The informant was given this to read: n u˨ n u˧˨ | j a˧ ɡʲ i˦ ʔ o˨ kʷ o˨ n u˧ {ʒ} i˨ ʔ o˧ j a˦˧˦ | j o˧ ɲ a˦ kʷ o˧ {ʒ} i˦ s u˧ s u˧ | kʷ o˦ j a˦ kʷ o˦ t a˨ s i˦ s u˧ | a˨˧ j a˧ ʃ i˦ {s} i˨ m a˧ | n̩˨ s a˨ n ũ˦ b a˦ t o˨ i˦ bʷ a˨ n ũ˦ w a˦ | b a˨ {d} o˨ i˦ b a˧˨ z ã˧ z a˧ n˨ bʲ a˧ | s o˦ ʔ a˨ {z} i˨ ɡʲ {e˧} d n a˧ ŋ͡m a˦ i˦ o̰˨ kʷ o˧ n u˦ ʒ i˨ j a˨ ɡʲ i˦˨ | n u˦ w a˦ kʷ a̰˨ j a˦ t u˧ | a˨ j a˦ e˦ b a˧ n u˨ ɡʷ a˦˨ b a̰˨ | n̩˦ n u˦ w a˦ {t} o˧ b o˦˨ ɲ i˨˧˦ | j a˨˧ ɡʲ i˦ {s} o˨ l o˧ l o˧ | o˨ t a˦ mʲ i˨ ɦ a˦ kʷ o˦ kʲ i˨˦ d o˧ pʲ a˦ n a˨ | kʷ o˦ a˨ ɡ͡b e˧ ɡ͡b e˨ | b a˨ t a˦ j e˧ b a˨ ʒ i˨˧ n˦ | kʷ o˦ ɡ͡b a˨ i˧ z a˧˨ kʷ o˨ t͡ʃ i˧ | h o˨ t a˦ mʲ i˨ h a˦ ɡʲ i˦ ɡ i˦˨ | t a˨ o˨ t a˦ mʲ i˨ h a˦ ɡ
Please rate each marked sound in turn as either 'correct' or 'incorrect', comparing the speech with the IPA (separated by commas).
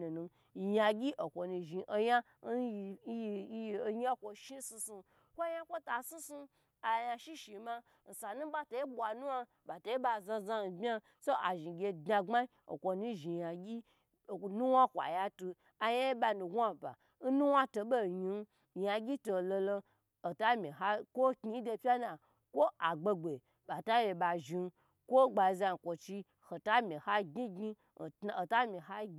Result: correct, incorrect, incorrect, incorrect, incorrect, correct, correct, incorrect